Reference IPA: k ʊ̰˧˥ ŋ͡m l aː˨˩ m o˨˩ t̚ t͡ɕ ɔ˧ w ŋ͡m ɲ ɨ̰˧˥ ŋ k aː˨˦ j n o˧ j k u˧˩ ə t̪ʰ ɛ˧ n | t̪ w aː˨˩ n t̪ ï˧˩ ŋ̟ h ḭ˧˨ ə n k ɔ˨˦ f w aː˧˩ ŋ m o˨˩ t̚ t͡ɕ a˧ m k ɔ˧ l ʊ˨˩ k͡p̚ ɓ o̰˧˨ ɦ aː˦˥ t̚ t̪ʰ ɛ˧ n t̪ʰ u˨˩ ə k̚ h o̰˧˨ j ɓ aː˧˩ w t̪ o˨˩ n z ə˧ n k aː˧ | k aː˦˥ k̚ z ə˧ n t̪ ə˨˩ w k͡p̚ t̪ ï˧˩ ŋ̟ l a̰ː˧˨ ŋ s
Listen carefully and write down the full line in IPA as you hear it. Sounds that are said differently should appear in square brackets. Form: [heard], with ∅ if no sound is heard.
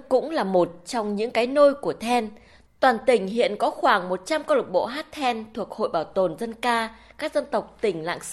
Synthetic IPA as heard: k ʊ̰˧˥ ŋ͡m l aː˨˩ m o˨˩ t̚ t͡ɕ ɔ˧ w ŋ͡m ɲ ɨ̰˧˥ ŋ k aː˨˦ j n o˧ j k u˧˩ ə t̪ʰ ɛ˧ n | t̪ w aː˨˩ n t̪ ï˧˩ ŋ̟ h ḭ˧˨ ə n k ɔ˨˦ [x] w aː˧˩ ŋ m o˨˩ t̚ t͡ɕ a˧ m k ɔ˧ l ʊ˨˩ k͡p̚ ɓ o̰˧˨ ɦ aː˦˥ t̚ t̪ʰ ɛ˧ n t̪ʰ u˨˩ ə k̚ h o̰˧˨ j ɓ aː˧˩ w t̪ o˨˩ n z ə˧ n k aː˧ | k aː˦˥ k̚ z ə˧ n t̪ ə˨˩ w k͡p̚ t̪ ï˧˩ ŋ̟ l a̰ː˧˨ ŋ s